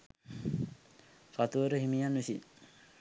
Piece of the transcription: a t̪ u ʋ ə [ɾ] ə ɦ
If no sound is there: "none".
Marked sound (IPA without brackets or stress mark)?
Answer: ɾ